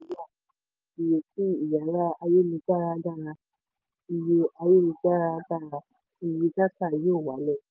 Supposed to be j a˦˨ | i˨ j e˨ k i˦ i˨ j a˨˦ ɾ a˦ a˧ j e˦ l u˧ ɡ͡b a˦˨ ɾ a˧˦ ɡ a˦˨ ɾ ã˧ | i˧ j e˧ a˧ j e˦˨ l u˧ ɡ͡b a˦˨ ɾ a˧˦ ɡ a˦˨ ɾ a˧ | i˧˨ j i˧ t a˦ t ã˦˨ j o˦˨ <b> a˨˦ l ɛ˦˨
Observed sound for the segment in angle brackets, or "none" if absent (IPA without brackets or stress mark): w